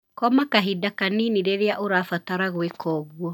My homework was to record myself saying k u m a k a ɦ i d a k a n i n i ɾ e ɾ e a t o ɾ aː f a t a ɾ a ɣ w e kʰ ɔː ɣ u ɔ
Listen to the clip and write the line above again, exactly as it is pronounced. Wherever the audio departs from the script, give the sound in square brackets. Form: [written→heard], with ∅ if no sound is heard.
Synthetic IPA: k [u→ɔ] m a k a ɦ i d a k a n i n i ɾ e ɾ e a [t→ʔ] o ɾ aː f a t a ɾ a ɣ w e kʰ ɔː ɣ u ɔ